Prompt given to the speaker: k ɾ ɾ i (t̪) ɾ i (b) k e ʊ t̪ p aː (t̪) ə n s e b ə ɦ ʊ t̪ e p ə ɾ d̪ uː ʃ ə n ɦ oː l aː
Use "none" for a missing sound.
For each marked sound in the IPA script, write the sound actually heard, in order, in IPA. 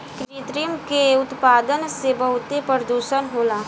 t̪, m, d̪

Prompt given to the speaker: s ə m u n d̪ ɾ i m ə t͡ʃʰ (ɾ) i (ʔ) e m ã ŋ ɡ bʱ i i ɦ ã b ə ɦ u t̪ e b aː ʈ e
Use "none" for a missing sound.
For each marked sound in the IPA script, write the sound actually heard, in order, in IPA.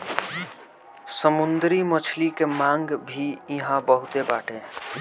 l, k

